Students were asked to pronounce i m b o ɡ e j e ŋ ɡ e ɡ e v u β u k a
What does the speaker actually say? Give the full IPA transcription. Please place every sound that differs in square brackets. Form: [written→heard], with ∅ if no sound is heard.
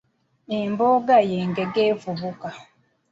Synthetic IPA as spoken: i m b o ɡ [e→a] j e ŋ ɡ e ɡ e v u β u k a

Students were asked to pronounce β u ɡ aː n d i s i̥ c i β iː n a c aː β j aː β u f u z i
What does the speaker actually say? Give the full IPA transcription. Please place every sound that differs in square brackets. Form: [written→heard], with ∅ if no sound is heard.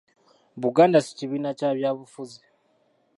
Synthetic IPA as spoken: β u ɡ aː n d [i→a] s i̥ c i β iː n a c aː β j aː β u f u z i

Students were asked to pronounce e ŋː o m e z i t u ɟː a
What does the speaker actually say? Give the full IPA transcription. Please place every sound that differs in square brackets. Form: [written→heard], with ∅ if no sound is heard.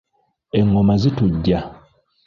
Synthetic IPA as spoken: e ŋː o m [e→a] z i t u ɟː a

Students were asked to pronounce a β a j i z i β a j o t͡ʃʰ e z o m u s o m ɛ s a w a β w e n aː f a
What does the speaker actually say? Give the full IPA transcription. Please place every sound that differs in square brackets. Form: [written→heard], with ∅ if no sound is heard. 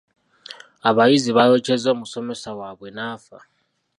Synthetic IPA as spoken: a β a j i z i β a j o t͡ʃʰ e z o m u s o m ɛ s a w a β w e n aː f a

